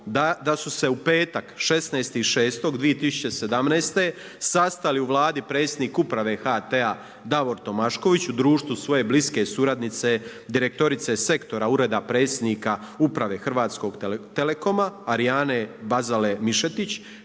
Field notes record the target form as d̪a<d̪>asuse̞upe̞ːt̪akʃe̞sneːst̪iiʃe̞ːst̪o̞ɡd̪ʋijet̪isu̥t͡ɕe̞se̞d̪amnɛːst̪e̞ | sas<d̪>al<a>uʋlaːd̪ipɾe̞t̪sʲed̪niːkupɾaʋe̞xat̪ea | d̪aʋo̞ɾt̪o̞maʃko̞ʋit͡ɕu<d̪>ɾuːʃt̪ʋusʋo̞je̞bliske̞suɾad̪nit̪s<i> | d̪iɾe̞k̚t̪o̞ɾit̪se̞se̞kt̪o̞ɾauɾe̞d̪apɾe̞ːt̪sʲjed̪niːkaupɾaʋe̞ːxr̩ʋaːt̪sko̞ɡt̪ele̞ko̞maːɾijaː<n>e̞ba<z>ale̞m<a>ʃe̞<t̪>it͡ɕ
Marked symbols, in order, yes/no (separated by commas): yes, no, no, yes, no, yes, yes, no, yes